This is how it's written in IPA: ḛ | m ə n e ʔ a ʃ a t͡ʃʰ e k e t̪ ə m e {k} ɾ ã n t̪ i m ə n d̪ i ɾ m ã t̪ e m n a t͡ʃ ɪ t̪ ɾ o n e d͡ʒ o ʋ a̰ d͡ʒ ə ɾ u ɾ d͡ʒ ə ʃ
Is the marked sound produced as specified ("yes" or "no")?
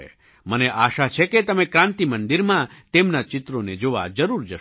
yes